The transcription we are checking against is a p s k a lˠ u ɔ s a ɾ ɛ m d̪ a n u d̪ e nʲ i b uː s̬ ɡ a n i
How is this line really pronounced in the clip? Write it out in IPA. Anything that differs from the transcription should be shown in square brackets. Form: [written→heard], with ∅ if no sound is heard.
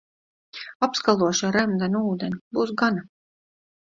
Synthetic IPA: a p s k a lˠ u ɔ [s→ʃ] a ɾ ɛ m d̪ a n [u→uː] d̪ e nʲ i b uː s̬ ɡ a n [i→a]

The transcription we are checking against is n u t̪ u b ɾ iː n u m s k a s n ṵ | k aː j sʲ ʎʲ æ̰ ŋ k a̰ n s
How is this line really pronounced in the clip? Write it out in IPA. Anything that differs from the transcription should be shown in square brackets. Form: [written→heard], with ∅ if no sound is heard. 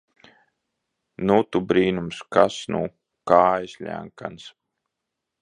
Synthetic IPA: n u t̪ u b ɾ iː n u m s k a s n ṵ | k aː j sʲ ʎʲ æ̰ ŋ k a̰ n s

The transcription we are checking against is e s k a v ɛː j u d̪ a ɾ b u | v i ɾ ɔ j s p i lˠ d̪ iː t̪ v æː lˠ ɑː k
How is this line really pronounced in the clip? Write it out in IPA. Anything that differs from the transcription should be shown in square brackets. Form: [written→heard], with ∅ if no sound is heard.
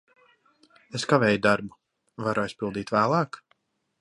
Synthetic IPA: e s k a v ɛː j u d̪ a ɾ b u | v [i→a] ɾ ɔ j s p i lˠ d̪ iː t̪ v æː lˠ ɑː k

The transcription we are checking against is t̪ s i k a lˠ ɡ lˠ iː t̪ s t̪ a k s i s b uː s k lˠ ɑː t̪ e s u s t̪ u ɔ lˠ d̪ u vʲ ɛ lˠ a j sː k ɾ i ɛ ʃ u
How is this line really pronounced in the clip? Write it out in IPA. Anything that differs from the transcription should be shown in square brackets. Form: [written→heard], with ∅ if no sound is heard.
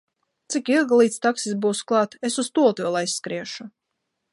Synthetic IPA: t̪ s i k [a→i] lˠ ɡ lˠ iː t̪ s t̪ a k s i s b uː s k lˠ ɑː t̪ e s u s t̪ u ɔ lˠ [d̪→t̪] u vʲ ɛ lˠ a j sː k ɾ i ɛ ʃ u

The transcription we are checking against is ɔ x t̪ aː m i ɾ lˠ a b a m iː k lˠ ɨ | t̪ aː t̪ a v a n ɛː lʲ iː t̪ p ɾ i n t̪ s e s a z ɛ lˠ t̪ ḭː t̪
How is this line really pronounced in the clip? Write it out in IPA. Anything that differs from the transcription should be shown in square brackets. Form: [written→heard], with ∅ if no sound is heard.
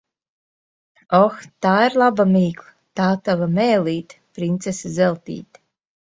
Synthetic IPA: ɔ x t̪ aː [m→∅] i ɾ lˠ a b a m iː k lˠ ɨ | t̪ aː t̪ a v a [n→m] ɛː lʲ iː t̪ p ɾ i n t̪ s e s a z ɛ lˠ t̪ ḭː t̪

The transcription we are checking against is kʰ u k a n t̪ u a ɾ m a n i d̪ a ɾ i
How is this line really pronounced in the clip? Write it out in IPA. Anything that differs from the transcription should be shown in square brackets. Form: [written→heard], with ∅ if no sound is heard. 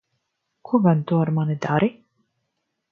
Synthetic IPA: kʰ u [k→ɡ] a n t̪ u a ɾ m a n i d̪ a ɾ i

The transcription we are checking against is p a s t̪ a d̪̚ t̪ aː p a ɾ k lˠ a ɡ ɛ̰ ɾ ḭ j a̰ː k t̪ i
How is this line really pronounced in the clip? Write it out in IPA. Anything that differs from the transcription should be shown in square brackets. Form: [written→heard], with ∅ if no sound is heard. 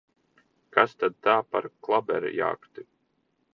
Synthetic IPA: [p→k] a s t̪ a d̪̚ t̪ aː p a ɾ k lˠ a [ɡ→b] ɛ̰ ɾ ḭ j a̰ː k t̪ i

